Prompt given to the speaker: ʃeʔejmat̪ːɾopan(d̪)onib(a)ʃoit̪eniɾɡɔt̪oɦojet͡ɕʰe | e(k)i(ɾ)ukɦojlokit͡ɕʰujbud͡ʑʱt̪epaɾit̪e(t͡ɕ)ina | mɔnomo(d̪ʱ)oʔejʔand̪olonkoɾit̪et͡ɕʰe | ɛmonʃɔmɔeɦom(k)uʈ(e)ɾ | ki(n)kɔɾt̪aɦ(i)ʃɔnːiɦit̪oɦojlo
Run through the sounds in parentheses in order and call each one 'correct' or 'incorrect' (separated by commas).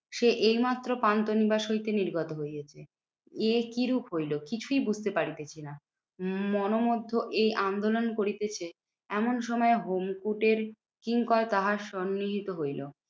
incorrect, correct, correct, correct, incorrect, incorrect, correct, correct, incorrect, incorrect